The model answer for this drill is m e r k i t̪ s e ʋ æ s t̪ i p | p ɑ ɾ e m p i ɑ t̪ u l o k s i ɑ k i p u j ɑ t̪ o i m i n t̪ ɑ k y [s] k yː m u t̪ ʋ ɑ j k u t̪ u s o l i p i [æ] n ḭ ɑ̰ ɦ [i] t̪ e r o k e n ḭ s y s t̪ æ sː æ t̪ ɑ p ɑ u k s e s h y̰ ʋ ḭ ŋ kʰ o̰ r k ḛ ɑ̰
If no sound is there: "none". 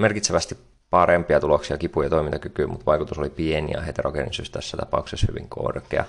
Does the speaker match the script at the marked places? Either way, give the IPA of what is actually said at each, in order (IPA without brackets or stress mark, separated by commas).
none, e, e